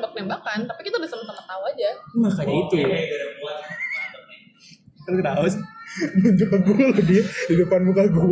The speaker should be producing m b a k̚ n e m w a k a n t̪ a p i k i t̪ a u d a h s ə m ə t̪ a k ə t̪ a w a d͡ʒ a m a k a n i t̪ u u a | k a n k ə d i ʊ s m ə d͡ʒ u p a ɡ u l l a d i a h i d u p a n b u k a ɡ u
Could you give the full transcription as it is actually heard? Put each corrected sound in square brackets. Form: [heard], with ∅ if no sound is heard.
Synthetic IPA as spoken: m b a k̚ n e m [b] a k a n t̪ a p i k i t̪ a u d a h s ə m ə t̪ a k ə t̪ a w a d͡ʒ a m a k a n i t̪ u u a | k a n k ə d [a] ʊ s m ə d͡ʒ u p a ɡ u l l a d i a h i d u p a n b u k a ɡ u